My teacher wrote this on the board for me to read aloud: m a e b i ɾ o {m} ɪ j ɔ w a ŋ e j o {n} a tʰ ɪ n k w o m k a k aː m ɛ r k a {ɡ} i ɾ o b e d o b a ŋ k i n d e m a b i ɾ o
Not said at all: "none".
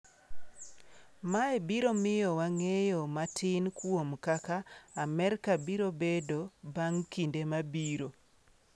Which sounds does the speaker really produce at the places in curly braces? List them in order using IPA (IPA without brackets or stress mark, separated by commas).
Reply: m, m, b